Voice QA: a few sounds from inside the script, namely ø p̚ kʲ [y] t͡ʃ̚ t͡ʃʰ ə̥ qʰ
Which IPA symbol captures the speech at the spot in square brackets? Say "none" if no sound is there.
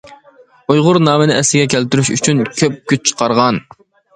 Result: y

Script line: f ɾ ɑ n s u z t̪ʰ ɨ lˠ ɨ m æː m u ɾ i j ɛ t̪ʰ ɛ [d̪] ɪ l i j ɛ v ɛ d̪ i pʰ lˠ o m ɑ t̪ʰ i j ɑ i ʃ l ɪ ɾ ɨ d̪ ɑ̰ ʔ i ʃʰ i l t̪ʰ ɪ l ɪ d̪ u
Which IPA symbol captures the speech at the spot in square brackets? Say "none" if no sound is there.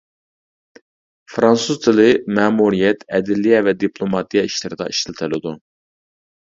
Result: d̪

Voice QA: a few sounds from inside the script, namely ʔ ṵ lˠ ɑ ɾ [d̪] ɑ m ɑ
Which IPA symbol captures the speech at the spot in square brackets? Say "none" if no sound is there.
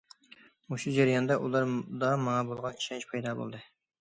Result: d̪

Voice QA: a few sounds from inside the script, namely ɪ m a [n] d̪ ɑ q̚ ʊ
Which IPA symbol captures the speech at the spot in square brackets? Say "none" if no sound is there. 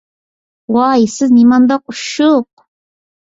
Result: n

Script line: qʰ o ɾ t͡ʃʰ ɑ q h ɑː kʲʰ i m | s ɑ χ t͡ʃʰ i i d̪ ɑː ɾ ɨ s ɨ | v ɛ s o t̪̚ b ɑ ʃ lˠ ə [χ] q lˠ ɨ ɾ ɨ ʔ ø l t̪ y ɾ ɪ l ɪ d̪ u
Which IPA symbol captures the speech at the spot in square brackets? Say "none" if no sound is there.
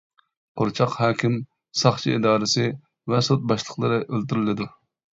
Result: none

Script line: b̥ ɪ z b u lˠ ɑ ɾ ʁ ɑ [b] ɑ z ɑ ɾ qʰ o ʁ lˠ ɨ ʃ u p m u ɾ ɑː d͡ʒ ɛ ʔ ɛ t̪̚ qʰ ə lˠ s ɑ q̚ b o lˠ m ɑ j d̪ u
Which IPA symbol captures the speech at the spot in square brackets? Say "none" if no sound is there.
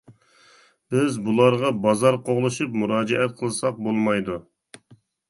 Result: b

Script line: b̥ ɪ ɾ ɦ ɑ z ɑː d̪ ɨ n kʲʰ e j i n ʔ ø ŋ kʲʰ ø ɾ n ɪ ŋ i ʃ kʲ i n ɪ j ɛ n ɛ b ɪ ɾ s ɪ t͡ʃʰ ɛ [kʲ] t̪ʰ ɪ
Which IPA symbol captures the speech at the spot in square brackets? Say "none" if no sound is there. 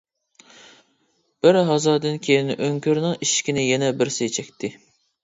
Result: kʲ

